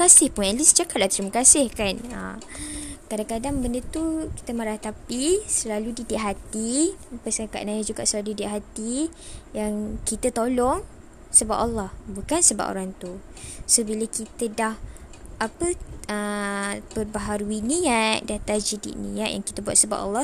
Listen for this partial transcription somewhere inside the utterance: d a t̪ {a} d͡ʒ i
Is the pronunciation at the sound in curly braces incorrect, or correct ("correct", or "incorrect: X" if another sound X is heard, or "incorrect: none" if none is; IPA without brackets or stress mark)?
correct